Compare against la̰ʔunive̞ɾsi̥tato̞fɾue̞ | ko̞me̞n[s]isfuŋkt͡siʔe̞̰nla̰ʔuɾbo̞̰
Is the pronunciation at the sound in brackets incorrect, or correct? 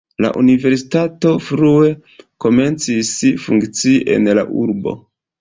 incorrect